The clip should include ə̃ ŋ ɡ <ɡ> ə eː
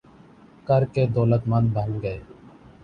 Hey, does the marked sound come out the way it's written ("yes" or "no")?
yes